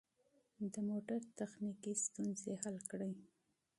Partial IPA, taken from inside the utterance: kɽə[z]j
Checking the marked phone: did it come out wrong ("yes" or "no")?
yes